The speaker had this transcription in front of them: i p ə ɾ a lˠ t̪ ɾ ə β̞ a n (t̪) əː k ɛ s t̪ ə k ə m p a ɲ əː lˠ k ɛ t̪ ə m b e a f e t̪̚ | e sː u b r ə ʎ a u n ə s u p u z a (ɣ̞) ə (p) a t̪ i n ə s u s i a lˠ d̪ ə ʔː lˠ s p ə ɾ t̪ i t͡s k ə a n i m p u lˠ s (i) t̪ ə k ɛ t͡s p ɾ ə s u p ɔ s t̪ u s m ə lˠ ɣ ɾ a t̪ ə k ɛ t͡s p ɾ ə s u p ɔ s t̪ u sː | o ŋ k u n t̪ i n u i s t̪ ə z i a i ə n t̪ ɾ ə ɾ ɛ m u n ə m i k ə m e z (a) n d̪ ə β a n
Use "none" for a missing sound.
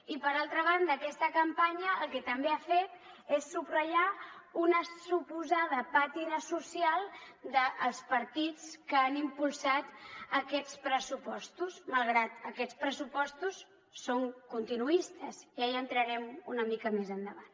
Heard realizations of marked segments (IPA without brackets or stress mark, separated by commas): d̪, ð̞, p, a, ə